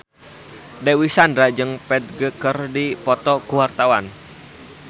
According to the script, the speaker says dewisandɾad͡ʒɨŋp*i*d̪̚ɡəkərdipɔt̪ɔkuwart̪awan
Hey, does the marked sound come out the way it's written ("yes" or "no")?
no